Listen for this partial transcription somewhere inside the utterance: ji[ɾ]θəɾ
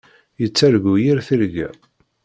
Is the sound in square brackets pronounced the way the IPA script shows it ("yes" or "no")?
yes